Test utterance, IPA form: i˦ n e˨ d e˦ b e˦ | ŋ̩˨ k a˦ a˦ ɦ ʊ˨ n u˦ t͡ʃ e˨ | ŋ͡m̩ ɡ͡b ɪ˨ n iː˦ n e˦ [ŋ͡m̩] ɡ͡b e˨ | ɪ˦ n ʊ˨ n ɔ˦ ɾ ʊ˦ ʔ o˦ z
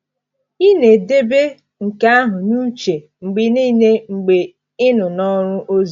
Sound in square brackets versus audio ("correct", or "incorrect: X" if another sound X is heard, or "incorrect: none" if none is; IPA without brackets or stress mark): correct